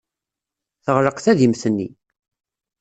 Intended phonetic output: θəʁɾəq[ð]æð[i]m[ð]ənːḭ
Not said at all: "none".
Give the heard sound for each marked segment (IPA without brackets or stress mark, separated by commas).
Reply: θ, i, θ